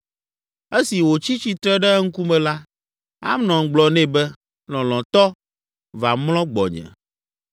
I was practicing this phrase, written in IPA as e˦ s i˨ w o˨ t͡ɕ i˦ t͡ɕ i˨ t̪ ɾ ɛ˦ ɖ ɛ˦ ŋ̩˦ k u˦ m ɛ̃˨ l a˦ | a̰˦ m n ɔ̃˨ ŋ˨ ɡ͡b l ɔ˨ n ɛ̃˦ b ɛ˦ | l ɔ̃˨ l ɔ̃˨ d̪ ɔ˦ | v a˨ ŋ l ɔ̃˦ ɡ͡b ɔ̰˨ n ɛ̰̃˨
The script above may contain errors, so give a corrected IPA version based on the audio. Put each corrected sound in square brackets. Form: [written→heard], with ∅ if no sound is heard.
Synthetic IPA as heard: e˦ s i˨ w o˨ t͡ɕ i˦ t͡ɕ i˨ t̪ ɾ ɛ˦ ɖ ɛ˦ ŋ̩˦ k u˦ m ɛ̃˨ l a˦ | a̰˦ m n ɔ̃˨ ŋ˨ ɡ͡b l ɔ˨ n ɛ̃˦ b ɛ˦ | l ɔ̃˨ l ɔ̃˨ [d̪→t̪] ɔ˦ | v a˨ [ŋ→m] l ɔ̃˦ ɡ͡b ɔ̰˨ [n→ɲ] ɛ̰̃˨

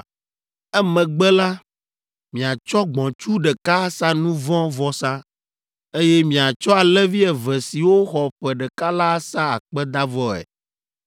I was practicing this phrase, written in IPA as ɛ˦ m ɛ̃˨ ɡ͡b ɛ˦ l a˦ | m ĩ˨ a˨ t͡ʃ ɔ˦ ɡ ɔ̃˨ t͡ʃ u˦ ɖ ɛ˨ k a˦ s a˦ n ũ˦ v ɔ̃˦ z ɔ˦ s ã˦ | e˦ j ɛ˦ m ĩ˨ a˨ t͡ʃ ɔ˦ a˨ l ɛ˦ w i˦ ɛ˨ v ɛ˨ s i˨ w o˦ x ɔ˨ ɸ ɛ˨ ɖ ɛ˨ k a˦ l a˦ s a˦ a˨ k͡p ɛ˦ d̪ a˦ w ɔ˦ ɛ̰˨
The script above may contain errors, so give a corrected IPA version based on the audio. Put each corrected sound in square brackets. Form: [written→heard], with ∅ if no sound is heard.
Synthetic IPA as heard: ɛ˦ m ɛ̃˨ ɡ͡b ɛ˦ l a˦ | m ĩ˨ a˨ t͡ʃ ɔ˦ [ɡ→ɡ͡b] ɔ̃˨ t͡ʃ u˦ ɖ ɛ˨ k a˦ s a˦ n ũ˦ v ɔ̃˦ [z→v] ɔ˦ s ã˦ | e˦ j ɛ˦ m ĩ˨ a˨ t͡ʃ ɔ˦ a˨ l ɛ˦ [w→v] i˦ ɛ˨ v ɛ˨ s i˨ w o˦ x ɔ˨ ɸ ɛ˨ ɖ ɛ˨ k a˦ l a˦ s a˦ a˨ k͡p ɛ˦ d̪ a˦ [w→v] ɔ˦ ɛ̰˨

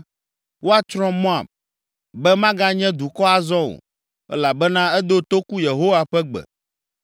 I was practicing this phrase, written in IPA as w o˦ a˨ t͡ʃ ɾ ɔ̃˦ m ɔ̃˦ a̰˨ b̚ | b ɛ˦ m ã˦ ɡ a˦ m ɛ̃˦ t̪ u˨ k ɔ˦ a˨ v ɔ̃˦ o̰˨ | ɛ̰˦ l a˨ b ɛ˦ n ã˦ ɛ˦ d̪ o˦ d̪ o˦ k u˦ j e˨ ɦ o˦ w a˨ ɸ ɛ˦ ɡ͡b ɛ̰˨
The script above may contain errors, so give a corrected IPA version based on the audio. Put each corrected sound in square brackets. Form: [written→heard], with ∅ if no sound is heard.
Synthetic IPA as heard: w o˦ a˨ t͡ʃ ɾ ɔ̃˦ m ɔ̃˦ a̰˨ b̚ | b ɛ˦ m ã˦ ɡ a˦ [m→ɲ] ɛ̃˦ [t̪→d̪] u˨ k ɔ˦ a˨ [v→z] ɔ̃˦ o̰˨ | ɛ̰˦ l a˨ b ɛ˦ n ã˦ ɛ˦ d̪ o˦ [d̪→t̪] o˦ k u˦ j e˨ ɦ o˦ w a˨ ɸ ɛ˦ ɡ͡b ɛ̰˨

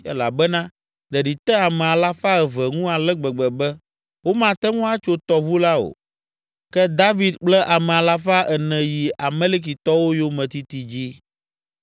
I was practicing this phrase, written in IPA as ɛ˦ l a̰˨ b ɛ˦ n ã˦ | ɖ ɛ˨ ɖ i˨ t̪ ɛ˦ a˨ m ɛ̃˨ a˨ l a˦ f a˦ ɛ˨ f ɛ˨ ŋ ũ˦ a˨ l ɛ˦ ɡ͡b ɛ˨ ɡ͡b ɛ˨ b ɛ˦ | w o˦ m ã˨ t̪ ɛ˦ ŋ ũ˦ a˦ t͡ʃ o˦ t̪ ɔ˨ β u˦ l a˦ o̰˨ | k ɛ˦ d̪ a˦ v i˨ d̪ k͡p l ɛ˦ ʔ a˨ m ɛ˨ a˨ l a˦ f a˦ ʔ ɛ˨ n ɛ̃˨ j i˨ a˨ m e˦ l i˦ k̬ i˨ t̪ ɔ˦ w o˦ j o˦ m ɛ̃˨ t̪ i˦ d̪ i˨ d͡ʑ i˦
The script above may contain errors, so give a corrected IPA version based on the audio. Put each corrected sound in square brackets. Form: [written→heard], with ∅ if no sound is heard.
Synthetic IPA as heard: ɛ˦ l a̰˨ b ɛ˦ n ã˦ | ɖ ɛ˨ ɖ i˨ t̪ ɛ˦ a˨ m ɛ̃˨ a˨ l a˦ f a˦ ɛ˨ [f→v] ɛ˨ ŋ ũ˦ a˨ l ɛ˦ ɡ͡b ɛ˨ ɡ͡b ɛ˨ b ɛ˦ | w o˦ m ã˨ t̪ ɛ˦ ŋ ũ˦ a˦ t͡ʃ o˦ t̪ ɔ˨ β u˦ l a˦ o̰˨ | k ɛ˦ d̪ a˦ v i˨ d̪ k͡p l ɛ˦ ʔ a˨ m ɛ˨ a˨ l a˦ f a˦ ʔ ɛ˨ n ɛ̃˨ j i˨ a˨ m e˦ l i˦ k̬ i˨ t̪ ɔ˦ w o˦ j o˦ m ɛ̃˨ t̪ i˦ [d̪→t̪] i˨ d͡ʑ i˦

